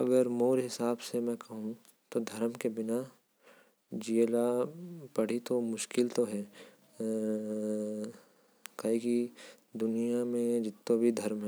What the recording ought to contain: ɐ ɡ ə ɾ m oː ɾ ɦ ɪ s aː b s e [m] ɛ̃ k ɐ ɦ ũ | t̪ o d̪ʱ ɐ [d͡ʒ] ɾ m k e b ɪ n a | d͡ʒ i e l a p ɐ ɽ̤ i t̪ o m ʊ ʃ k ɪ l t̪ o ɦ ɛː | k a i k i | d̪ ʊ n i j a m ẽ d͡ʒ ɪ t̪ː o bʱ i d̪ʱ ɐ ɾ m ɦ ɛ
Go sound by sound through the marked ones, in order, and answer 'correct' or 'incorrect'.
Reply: correct, incorrect: none

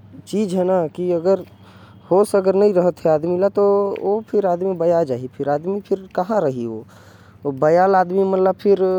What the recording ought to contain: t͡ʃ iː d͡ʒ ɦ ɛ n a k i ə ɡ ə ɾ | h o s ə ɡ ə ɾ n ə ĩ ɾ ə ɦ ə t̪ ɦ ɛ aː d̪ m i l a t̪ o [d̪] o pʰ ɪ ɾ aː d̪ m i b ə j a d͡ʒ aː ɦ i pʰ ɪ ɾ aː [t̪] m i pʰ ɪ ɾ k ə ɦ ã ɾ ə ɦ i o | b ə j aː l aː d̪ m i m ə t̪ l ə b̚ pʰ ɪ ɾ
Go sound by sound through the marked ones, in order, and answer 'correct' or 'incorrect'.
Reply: incorrect: none, incorrect: d̪

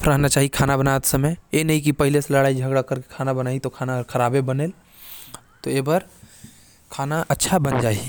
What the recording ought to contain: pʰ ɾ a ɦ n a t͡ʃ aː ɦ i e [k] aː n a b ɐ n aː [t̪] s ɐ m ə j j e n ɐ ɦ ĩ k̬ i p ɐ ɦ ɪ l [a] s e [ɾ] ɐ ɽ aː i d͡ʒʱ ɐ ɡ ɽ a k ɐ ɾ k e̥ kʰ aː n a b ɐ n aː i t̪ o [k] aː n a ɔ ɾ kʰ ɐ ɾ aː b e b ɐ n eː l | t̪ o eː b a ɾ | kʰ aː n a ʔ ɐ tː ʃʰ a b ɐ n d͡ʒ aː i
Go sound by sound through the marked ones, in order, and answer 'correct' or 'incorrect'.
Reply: incorrect: kʰ, correct, incorrect: e, incorrect: l, incorrect: kʰ

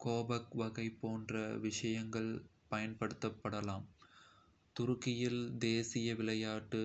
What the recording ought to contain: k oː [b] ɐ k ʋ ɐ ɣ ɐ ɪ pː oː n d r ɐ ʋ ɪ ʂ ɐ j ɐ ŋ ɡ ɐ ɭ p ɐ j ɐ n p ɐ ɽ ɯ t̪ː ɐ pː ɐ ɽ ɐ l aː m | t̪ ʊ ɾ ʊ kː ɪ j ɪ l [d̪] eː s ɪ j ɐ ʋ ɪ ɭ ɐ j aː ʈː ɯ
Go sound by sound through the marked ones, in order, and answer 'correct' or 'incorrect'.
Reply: correct, correct

